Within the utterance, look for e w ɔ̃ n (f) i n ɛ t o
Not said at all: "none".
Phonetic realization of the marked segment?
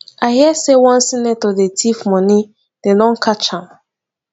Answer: s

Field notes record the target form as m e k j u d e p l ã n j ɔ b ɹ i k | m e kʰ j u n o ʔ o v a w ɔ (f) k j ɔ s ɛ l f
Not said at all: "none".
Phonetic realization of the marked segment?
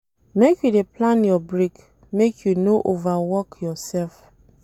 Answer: none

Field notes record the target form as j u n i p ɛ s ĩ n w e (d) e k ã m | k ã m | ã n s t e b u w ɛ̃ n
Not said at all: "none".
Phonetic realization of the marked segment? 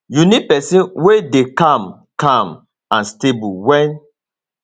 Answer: d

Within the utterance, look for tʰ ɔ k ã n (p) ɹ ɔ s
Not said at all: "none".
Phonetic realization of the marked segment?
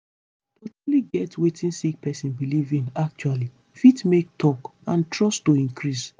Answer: t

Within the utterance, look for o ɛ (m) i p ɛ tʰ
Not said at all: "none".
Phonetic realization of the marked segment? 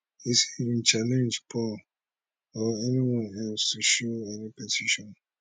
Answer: n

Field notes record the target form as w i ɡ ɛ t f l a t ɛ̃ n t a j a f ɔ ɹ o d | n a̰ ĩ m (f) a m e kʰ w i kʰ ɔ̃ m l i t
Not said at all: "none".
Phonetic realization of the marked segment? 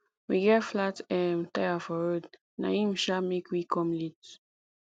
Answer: ʃ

